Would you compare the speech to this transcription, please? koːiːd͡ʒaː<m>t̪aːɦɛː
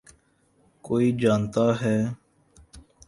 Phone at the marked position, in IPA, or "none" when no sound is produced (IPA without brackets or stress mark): n